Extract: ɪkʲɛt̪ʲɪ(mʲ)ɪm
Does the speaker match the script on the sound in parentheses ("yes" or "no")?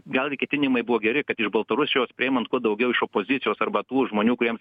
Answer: no